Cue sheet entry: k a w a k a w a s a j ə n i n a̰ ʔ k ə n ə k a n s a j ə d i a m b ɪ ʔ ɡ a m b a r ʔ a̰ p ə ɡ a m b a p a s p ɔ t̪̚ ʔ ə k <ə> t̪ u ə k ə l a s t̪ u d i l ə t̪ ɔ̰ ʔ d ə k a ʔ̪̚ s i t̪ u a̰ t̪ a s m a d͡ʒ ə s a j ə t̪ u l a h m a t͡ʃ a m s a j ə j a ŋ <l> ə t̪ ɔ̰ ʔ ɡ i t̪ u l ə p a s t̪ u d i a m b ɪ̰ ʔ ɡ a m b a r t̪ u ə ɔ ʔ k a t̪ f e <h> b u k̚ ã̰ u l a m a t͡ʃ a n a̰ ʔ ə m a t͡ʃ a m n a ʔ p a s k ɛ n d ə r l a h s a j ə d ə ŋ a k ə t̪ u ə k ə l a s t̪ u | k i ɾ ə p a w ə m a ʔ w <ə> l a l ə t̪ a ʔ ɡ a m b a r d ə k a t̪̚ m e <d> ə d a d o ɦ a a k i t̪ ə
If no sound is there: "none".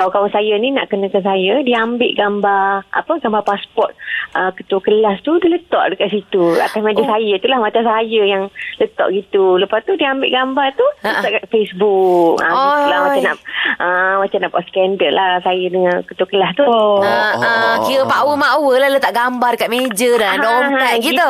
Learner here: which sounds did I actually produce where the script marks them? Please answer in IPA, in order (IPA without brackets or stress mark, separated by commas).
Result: ə, l, s, ə, d͡ʒ